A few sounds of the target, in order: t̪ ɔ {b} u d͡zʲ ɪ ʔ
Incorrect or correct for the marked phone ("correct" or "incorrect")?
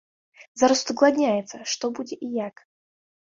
correct